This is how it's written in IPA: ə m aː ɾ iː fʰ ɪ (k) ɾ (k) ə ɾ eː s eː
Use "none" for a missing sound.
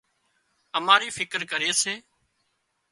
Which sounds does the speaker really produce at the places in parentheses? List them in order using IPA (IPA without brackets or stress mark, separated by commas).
k, k